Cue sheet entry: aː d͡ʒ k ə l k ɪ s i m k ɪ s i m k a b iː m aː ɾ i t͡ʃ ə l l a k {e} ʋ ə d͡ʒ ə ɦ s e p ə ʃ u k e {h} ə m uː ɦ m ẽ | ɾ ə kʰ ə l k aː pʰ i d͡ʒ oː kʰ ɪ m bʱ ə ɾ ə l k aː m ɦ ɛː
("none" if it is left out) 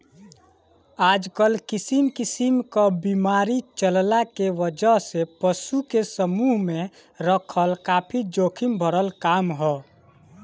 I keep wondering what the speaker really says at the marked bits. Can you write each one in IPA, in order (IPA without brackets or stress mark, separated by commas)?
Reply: e, s